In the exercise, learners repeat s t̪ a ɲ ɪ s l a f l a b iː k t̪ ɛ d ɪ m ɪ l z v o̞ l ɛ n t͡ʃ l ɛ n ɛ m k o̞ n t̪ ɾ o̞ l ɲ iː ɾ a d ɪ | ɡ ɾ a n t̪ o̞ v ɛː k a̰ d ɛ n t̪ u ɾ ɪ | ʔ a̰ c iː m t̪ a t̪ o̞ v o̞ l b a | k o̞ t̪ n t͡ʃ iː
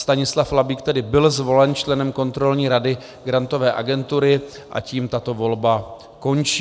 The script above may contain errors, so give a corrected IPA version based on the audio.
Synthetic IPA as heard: s t̪ a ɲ ɪ s l a f l a b iː k t̪ ɛ d ɪ b ɪ l z v o̞ l ɛ n t͡ʃ l ɛ n ɛ m k o̞ n t̪ ɾ o̞ l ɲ iː ɾ a d ɪ | ɡ ɾ a n t̪ o̞ v ɛː ʔ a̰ ɡ ɛ n t̪ u ɾ ɪ | ʔ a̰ c iː m t̪ a t̪ o̞ v o̞ l b a | k o̞ n t͡ʃ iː